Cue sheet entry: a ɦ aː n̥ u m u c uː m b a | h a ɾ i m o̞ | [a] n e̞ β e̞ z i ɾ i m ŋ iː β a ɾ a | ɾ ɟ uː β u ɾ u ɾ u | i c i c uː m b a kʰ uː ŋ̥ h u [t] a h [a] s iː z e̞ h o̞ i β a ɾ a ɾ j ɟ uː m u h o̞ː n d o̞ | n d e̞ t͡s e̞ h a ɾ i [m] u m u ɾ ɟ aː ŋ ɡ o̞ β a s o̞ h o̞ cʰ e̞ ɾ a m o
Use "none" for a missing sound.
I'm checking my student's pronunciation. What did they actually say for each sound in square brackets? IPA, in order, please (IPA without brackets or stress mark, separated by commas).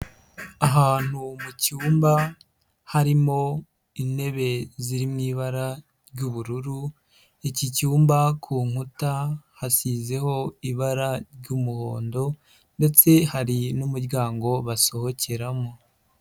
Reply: i, t, a, n